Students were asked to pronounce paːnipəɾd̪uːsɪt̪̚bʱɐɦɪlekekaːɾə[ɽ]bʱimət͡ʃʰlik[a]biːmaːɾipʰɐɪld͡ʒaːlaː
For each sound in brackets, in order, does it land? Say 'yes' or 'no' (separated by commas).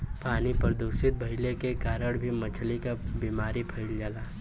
yes, yes